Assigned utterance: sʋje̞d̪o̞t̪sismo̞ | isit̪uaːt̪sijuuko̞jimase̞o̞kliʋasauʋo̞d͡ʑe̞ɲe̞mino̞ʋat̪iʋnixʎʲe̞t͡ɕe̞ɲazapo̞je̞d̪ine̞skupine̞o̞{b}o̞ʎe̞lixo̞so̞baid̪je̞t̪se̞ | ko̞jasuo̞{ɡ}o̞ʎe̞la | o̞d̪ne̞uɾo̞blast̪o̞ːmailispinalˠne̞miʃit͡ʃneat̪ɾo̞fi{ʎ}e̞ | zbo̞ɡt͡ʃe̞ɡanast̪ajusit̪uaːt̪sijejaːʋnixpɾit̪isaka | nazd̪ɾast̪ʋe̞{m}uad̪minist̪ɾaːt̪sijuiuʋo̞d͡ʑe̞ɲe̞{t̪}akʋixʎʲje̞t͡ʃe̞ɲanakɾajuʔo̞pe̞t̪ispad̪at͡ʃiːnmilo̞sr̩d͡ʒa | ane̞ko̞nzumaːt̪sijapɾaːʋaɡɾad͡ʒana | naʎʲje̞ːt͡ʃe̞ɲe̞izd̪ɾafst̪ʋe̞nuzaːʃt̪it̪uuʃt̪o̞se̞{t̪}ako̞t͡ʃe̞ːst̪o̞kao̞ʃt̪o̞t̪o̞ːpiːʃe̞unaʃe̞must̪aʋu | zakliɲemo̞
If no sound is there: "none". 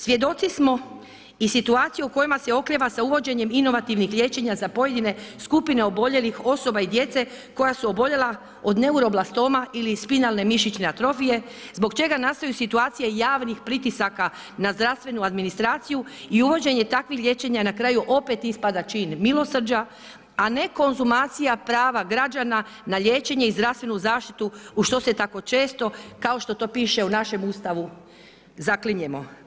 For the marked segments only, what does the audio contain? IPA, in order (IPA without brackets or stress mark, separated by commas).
b, b, j, n, t̪, t̪